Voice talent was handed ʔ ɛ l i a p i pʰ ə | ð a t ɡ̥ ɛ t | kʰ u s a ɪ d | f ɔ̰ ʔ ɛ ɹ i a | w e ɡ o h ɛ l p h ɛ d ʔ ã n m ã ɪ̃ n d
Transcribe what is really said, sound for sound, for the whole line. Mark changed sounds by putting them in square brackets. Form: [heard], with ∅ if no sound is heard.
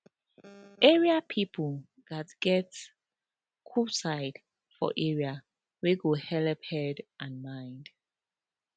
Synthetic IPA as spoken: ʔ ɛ [ɹ] i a [pʰ] i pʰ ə | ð a t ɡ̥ ɛ t | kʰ u s a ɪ d | f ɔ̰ ʔ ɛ ɹ i a | w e ɡ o h ɛ l p h ɛ d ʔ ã n m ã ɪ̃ n d